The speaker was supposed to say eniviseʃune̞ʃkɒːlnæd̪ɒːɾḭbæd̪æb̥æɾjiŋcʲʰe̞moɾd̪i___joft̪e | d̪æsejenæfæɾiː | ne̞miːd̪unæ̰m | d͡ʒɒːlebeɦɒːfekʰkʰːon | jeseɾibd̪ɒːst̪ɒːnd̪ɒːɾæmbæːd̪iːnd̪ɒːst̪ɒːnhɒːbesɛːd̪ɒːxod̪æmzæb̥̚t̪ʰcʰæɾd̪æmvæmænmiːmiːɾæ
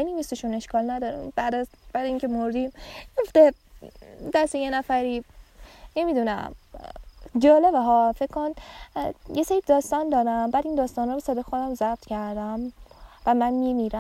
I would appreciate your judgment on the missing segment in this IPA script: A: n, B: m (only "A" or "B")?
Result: B